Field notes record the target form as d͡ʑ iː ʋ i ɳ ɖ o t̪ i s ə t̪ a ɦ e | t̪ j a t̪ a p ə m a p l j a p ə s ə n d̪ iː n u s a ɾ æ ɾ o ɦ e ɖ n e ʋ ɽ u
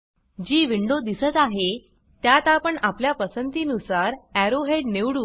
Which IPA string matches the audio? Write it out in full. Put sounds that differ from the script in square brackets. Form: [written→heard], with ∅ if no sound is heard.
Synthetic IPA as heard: d͡ʑ iː ʋ i ɳ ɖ o [t̪→d̪] i s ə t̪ a ɦ e | t̪ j a t̪ a p ə [m→ɳ] a p l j a p ə s ə n [d̪→t̪] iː n u s a ɾ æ ɾ o ɦ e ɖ n e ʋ ɽ u